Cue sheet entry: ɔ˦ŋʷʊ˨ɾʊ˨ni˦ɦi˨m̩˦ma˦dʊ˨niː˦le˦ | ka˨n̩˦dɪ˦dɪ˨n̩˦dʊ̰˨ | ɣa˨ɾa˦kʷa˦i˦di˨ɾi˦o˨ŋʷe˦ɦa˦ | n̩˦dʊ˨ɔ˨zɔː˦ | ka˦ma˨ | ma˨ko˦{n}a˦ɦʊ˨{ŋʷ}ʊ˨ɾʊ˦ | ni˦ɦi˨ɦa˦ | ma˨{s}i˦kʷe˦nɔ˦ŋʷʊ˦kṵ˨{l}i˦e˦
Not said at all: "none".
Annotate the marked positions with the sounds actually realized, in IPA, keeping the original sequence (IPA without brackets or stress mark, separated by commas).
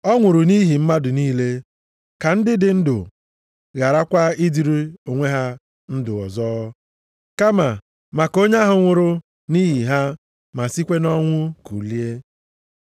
ɲ, ŋʷ, s, l